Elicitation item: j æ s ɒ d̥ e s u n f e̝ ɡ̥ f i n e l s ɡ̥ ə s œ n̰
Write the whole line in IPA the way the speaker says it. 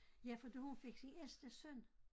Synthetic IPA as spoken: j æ f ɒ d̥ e h u n f e̝ ɡ̥ s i n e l s d̥ ə s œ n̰